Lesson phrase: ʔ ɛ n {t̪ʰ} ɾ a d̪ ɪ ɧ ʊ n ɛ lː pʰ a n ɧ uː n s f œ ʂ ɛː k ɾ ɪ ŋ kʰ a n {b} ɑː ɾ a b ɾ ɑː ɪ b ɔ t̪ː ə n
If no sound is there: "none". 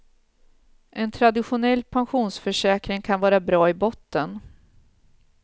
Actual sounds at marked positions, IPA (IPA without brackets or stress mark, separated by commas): t̪ʰ, v